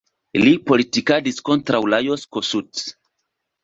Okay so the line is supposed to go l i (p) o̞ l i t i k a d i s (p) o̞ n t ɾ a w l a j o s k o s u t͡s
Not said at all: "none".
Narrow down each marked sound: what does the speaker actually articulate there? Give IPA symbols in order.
p, k

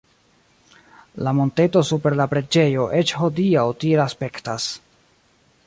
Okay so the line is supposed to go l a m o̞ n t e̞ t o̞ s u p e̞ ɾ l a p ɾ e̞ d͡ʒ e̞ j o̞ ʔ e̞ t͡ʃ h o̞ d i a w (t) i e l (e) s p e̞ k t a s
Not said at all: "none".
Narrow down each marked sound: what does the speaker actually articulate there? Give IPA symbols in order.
t, a

